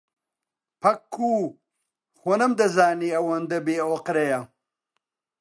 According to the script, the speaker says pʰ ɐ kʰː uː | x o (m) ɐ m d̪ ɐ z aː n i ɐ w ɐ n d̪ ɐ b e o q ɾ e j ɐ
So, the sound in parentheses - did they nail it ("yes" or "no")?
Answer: no